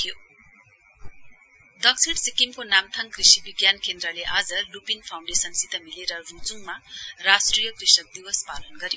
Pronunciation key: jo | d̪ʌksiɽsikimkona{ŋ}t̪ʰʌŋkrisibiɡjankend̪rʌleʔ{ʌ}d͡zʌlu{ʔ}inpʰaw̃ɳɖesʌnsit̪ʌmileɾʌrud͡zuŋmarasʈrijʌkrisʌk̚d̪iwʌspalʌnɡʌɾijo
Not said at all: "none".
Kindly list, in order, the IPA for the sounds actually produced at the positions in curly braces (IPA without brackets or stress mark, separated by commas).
m, a, p